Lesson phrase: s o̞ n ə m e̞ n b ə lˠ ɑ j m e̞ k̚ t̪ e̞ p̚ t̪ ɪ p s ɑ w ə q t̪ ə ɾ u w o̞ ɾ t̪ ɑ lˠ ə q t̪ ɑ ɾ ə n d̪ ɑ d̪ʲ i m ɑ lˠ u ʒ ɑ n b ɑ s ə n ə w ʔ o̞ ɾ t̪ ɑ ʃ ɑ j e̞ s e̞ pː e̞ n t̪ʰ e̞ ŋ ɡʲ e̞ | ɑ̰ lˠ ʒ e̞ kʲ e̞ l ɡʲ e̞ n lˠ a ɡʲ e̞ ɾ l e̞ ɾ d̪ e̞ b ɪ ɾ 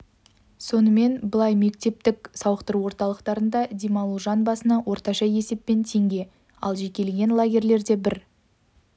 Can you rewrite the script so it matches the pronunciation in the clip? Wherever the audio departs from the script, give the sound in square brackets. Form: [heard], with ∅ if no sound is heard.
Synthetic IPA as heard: s o̞ n ə m e̞ n b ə lˠ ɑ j m e̞ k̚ t̪ e̞ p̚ t̪ ɪ [k] s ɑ w ə q t̪ ə ɾ u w o̞ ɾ t̪ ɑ lˠ ə q t̪ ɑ ɾ ə n d̪ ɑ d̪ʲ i m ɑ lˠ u ʒ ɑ n b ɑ s ə n [ɑ] w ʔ o̞ ɾ t̪ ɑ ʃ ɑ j e̞ s e̞ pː e̞ n t̪ʰ e̞ ŋ ɡʲ e̞ | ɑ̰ lˠ ʒ e̞ kʲ e̞ l ɡʲ e̞ n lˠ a ɡʲ e̞ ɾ l e̞ ɾ d̪ e̞ b ɪ ɾ

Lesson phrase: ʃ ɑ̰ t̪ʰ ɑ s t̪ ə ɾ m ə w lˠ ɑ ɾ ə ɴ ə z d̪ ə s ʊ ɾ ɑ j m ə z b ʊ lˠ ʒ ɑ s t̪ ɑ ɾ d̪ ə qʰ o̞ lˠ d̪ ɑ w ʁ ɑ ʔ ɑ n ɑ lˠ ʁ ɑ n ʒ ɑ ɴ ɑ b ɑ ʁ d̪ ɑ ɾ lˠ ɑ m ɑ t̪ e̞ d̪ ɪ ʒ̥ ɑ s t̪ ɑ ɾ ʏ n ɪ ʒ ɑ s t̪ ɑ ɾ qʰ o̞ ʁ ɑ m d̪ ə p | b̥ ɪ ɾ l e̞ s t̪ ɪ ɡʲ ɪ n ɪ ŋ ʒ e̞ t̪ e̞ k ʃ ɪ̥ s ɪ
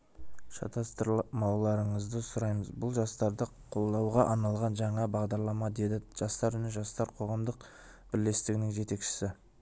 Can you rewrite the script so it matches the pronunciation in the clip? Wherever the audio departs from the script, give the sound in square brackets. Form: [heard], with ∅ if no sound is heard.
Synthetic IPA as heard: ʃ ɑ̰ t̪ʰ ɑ s t̪ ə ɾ m [ɑ] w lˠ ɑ ɾ ə ɴ ə z d̪ ə s ʊ ɾ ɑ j m ə z b ʊ lˠ ʒ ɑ s t̪ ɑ ɾ d̪ ə qʰ o̞ lˠ d̪ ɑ w ʁ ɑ ʔ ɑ n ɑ lˠ ʁ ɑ n ʒ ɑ ɴ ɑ b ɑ ʁ d̪ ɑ ɾ lˠ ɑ m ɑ [d̪] e̞ d̪ ɪ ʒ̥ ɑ s t̪ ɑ ɾ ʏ n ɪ ʒ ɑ s t̪ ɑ ɾ qʰ o̞ ʁ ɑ m d̪ ə [q] | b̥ ɪ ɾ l e̞ s t̪ ɪ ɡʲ ɪ n ɪ ŋ ʒ e̞ t̪ e̞ k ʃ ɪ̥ s ɪ

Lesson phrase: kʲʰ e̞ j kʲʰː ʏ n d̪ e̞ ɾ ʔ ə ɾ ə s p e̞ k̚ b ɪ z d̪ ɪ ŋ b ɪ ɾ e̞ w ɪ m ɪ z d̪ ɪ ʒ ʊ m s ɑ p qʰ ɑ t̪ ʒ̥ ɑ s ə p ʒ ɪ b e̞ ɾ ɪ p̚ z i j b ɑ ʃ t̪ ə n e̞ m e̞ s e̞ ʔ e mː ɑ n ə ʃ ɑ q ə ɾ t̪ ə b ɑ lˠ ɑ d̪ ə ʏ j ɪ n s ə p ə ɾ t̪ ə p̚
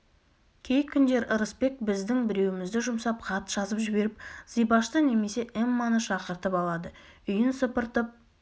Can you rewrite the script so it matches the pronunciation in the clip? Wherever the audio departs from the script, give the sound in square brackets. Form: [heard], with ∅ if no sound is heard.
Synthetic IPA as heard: kʲʰ e̞ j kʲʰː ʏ n d̪ e̞ ɾ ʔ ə ɾ ə s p e̞ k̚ b ɪ z d̪ ɪ ŋ b ɪ ɾ e̞ w ɪ m ɪ z d̪ ɪ ʒ ʊ m s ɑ p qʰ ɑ t̪ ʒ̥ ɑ [z] ə p ʒ ɪ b e̞ ɾ ɪ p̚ z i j b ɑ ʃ t̪ ə n e̞ m e̞ s e̞ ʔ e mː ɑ n ə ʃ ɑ q ə ɾ t̪ ə [p] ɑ lˠ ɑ d̪ ə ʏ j ɪ n s ə p ə ɾ t̪ ə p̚

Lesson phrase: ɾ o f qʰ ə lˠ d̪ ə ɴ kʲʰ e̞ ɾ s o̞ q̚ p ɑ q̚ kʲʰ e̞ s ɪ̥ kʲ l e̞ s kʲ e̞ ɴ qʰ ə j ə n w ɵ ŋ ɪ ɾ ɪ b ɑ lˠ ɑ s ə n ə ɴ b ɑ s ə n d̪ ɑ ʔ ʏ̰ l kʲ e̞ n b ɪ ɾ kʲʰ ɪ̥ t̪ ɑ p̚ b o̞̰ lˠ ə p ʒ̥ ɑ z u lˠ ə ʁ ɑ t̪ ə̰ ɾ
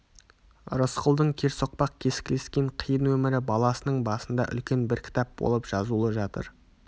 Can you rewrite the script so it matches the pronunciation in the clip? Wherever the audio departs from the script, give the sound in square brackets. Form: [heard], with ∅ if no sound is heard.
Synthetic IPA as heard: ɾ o [s] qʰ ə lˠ d̪ ə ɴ kʲʰ e̞ ɾ s o̞ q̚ p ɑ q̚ kʲʰ e̞ s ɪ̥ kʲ l e̞ s kʲ e̞ ɴ qʰ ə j ə n w ɵ [m] ɪ ɾ ɪ b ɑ lˠ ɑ s ə n ə ɴ b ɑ s ə n d̪ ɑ ʔ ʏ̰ l kʲ e̞ n b ɪ ɾ kʲʰ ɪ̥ t̪ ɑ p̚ b o̞̰ lˠ ə p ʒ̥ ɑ z u lˠ ə [ʒ] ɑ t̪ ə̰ ɾ

